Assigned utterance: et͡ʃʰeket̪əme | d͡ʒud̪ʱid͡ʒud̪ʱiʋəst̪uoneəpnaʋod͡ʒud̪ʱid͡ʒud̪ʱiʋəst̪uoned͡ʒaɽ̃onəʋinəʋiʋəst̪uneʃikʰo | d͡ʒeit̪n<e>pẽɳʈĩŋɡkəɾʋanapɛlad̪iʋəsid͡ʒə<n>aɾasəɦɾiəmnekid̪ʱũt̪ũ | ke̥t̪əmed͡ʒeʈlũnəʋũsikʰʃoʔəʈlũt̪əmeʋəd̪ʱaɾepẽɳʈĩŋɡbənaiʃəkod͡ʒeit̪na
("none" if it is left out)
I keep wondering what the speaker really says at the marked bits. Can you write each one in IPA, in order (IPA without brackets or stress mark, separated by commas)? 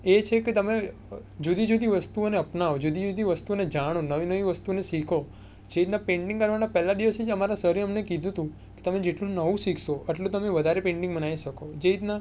a, m